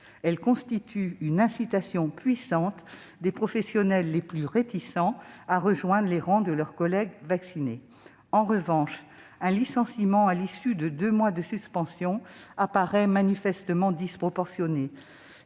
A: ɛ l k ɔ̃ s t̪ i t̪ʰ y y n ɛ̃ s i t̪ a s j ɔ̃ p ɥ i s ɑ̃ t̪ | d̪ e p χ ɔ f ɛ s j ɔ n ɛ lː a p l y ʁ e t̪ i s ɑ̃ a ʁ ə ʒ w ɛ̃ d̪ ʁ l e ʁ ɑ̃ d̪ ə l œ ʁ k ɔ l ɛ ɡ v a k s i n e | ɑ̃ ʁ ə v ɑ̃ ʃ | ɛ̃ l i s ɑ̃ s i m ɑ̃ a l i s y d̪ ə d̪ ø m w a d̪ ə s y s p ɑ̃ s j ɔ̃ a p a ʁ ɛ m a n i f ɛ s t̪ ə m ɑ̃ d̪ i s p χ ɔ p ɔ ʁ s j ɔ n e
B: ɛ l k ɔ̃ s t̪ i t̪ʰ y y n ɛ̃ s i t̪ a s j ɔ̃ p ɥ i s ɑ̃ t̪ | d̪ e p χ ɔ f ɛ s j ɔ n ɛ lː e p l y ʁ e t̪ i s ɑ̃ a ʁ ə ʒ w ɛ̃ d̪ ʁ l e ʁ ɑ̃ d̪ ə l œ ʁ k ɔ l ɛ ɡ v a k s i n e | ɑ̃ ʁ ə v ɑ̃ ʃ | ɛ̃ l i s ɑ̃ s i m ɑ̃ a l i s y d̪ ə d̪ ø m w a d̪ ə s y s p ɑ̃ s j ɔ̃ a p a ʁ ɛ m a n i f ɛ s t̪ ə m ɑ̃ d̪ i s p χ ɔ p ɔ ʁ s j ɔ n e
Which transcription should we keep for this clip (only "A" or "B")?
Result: B